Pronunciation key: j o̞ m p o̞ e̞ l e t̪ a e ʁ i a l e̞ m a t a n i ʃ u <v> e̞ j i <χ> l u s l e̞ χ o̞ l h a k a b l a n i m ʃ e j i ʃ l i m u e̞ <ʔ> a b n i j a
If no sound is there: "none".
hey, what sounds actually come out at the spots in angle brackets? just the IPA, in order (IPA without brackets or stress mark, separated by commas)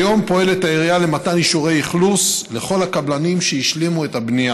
ʁ, χ, t